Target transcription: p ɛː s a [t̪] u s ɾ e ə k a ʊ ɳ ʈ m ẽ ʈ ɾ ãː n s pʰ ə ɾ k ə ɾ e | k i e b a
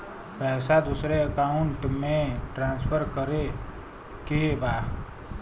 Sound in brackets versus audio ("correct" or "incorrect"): incorrect